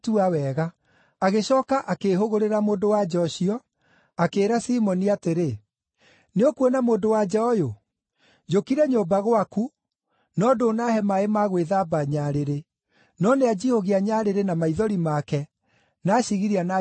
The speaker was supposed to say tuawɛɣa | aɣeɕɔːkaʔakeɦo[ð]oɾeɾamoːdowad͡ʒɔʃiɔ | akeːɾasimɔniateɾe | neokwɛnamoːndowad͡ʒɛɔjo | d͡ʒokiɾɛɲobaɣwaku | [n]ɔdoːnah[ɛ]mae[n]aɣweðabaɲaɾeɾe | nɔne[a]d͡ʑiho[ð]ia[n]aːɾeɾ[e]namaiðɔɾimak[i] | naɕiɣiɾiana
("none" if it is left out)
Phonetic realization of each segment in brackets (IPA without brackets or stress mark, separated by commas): ɣ, n, ɛ, m, a, ɣ, ɲ, e, ɛ